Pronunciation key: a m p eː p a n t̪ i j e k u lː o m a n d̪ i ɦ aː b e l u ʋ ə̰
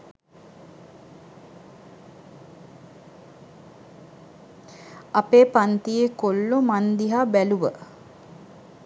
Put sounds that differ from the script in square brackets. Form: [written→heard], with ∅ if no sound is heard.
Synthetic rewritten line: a [m→∅] p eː p a n t̪ i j e k [u→o] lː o m a n d̪ i ɦ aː b [e→æ] l u ʋ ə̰

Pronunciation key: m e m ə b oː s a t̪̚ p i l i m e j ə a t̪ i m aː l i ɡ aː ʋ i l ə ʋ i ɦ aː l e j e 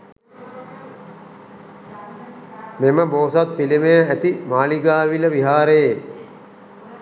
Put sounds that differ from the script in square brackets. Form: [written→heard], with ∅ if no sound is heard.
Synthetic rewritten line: m e m ə b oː s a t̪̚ p i l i m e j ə [a→æ] t̪ i m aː l i ɡ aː ʋ i l ə ʋ i ɦ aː [l→ɾ] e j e

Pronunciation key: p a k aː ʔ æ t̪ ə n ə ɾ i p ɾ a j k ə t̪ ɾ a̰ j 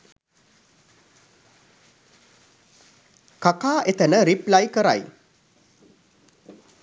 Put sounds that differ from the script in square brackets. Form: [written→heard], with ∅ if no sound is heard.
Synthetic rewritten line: [p→k] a k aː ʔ [æ→e] t̪ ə n ə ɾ i p [ɾ→l] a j k ə [t̪→∅] ɾ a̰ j

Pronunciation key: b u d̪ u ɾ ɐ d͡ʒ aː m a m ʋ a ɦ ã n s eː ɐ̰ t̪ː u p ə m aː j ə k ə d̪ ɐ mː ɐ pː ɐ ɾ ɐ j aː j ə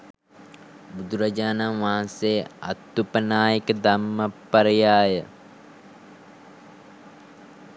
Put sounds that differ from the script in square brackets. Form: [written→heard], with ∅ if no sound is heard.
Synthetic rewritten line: b u d̪ u ɾ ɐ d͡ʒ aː [m→n] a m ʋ a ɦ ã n s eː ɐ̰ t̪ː u p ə [m→n] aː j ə k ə d̪ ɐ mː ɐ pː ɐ ɾ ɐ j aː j ə

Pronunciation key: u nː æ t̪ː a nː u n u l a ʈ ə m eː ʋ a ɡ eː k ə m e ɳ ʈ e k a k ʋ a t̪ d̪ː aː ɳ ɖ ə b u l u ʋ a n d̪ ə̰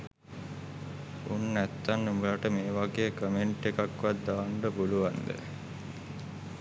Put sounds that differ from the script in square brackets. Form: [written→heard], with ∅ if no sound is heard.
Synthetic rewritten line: u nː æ t̪ː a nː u [n→m] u l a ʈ ə m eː ʋ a ɡ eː k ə m e ɳ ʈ e k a k ʋ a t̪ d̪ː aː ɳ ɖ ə b u l u ʋ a n d̪ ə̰

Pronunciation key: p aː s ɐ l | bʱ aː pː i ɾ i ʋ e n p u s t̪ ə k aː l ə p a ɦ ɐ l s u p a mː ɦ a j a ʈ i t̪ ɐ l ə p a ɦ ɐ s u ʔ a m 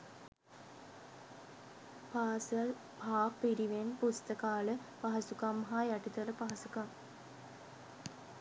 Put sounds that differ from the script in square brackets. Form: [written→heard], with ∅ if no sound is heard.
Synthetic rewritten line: p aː s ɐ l | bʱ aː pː i ɾ i ʋ e n p u s t̪ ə k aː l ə p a ɦ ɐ [l→∅] s u [p→k] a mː ɦ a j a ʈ i t̪ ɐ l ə p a ɦ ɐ s u [ʔ→k] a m

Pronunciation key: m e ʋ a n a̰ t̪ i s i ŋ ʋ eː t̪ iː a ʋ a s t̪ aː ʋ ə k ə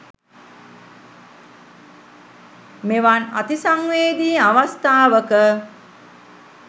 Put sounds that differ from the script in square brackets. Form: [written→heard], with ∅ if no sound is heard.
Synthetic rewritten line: m e ʋ a n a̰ t̪ i s [i→a] ŋ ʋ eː [t̪→d̪] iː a ʋ a s t̪ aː ʋ ə k ə

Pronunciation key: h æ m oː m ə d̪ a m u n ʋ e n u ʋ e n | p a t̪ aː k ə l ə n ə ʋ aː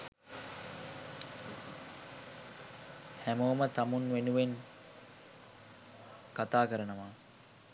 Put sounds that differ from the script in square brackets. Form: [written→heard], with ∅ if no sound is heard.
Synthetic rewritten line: h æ m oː m ə [d̪→t̪] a m u n ʋ e n u ʋ e n | [p→k] a t̪ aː k ə [l→ɾ] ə n ə ʋ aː

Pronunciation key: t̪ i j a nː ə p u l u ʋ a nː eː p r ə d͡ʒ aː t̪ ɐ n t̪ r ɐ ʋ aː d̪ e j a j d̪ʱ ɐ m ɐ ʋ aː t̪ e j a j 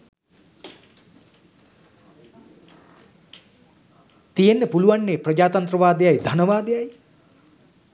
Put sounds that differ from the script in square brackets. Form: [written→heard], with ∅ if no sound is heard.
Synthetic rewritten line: t̪ i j [a→e] nː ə p u l u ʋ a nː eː p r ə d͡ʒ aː t̪ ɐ n t̪ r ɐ ʋ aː d̪ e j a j d̪ʱ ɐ [m→n] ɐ ʋ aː [t̪→d̪] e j a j

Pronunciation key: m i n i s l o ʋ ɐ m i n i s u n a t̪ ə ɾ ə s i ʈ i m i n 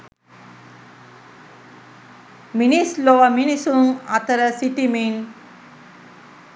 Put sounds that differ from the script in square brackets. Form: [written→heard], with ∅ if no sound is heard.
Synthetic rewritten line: m i n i s l o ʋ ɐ m i n i s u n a t̪ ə ɾ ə s i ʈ i m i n

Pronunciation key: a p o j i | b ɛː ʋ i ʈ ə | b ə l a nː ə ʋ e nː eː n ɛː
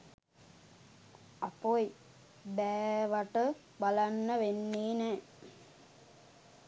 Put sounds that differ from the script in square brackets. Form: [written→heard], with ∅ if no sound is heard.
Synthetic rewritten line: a p o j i | b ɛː ʋ [i→a] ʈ ə | b [ə→a] l a nː ə ʋ e nː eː n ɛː

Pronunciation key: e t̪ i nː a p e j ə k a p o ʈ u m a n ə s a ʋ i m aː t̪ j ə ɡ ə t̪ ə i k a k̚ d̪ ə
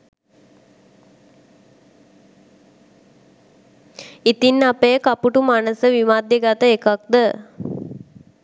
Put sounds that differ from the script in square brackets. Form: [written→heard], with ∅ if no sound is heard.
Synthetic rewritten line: [e→i] t̪ i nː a p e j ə k a p [o→u] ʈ u m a n ə s [a→ə] ʋ i m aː [t̪→d̪] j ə ɡ [ə→a] t̪ ə [i→e] k a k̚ d̪ ə

